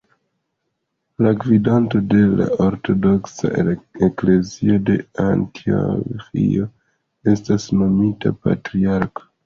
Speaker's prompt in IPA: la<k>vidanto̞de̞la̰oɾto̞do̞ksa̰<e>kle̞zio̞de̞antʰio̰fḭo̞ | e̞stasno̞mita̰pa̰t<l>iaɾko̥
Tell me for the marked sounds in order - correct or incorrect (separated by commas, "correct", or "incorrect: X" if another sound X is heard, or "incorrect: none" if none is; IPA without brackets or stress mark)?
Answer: incorrect: ɡ, correct, incorrect: ɾ